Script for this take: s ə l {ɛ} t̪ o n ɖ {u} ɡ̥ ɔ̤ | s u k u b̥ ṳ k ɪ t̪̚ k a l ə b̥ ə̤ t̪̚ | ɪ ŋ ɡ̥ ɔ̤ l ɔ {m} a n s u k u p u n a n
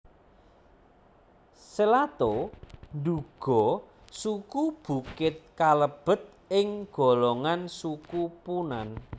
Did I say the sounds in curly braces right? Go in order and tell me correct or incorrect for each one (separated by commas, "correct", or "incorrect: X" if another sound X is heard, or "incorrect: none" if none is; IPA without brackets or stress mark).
incorrect: a, correct, incorrect: ŋ